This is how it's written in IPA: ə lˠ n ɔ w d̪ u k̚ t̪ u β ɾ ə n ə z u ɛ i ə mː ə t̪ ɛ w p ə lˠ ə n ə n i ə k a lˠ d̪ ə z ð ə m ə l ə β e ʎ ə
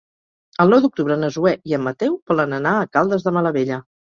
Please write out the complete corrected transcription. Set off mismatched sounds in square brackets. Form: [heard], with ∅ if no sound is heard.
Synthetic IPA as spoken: ə lˠ n ɔ w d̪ u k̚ t̪ u β ɾ ə n ə z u ɛ i ə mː ə t̪ ɛ w p ə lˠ ə n ə n [a] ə k a lˠ d̪ ə z ð ə m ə l ə β e ʎ ə